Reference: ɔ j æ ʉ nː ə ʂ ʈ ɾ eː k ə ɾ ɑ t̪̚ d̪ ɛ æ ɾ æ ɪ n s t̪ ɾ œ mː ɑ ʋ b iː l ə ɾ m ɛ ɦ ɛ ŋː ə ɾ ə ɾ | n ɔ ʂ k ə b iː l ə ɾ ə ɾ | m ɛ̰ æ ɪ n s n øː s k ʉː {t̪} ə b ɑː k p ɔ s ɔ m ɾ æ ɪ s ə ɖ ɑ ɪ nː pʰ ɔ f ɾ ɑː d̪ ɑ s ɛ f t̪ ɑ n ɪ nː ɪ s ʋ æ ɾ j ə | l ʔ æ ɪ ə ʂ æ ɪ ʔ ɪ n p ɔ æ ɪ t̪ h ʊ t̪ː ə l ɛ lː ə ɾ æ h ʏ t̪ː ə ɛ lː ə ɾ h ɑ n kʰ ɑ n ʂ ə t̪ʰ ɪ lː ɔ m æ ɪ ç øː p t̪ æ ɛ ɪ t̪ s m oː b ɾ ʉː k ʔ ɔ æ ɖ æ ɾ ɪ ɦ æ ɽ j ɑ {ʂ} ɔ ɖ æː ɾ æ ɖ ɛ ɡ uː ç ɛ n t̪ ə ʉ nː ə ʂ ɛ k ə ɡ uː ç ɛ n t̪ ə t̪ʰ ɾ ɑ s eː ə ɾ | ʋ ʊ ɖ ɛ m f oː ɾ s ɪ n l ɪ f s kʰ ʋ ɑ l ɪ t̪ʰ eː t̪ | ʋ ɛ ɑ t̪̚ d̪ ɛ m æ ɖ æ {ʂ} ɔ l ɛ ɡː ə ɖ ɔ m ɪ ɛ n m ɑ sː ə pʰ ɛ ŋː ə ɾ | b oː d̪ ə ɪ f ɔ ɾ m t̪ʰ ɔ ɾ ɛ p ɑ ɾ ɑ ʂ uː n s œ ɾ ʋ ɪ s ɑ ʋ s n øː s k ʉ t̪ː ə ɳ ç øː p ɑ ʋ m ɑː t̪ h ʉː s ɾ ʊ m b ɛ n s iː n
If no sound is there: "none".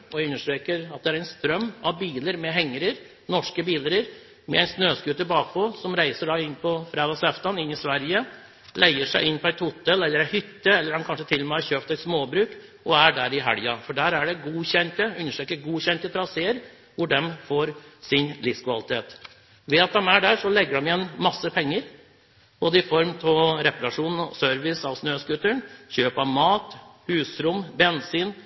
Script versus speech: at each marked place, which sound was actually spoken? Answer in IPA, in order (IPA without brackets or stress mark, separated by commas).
t̪, f, ʂ